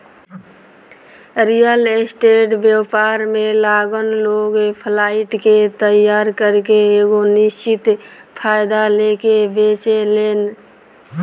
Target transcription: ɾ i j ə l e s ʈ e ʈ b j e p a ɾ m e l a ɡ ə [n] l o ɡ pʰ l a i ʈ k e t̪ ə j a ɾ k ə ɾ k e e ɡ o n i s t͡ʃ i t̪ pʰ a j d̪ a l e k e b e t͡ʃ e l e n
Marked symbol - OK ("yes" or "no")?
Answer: yes